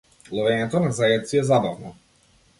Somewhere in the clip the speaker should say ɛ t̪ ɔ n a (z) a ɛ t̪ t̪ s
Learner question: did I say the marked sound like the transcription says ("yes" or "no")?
yes